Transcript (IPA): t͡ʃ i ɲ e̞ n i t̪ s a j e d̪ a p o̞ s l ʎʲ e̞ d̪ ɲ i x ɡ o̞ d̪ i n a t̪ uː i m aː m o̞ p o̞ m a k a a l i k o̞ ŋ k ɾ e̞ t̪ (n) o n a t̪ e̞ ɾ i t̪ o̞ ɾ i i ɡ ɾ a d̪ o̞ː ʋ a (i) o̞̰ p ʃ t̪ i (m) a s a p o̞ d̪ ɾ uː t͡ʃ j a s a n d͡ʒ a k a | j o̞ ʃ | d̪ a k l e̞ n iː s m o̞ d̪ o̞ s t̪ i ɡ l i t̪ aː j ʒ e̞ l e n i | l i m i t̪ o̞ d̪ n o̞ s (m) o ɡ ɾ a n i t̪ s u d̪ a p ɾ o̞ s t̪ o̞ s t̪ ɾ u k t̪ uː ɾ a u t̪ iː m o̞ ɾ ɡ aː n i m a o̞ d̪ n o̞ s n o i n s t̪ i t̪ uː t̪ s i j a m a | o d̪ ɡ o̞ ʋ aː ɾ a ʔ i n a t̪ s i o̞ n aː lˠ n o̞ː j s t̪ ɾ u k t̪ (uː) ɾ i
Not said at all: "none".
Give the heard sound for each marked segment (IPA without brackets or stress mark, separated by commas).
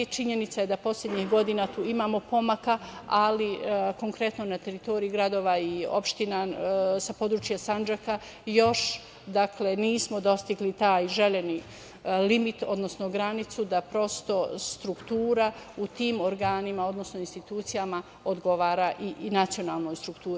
n, i, n, n, uː